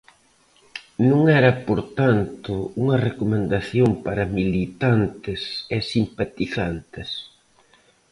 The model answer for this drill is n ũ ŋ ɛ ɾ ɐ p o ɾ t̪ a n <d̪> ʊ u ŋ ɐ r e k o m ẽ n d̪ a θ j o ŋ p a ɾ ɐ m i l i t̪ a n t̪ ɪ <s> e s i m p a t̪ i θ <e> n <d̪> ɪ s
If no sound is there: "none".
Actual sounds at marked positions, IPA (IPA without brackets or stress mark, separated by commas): t̪, s, a, t̪